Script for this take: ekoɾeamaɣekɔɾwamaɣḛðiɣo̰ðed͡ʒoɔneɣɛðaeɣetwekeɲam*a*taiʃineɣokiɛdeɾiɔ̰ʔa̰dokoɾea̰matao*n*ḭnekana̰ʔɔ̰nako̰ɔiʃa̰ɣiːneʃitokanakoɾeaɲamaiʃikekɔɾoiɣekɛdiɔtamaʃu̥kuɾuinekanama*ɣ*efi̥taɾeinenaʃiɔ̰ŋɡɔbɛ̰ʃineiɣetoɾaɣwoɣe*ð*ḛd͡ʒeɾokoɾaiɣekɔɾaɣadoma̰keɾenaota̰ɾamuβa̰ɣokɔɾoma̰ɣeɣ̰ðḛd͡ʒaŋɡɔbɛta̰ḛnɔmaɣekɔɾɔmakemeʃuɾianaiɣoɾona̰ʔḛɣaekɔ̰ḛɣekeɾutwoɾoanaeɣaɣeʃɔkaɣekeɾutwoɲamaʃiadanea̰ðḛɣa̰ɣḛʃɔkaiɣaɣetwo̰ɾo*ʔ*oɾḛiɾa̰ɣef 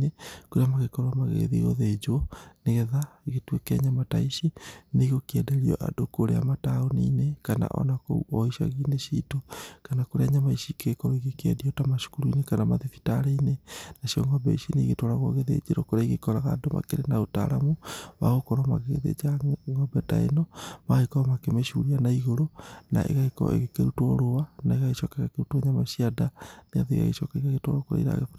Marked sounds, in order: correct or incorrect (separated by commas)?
correct, correct, incorrect, correct, incorrect